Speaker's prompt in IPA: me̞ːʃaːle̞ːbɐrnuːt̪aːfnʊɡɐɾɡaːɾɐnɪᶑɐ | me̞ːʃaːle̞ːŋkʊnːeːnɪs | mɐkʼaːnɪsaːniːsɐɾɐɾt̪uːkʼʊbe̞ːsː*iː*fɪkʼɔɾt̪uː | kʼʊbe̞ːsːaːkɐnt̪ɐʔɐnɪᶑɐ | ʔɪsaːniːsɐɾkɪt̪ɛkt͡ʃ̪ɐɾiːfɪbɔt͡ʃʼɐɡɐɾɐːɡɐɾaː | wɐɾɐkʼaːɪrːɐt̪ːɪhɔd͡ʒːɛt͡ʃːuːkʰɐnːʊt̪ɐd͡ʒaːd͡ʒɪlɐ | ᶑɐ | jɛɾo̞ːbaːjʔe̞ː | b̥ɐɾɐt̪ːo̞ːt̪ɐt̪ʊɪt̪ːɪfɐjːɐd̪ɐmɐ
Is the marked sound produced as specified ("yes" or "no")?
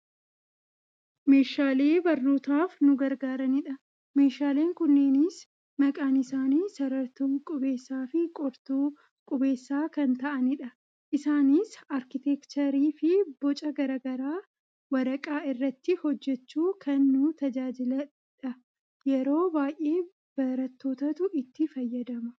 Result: no